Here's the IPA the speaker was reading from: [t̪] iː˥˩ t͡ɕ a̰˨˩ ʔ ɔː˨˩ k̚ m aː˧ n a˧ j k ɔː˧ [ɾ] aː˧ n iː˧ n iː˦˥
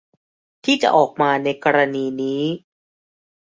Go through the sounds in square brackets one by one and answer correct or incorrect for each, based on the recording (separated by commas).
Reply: incorrect, correct